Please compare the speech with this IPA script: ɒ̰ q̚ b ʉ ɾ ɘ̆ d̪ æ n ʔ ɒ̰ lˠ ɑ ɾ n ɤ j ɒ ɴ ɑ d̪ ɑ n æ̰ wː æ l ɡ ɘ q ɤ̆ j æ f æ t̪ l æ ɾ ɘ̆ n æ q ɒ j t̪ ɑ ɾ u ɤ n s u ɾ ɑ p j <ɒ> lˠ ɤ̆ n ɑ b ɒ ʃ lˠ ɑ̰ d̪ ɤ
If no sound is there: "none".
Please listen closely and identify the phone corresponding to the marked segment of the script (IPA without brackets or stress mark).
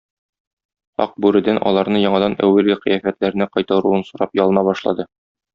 ɒ